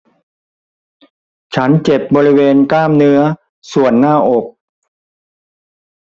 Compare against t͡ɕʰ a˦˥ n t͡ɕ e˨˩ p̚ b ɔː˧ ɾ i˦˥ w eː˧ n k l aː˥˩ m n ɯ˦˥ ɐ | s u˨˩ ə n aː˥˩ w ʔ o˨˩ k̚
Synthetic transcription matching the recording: t͡ɕʰ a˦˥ n t͡ɕ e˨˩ p̚ b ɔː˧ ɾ i˦˥ w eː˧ n k l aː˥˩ m n ɯ˦˥ ɐ | s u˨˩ ə nː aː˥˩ ʔ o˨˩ k̚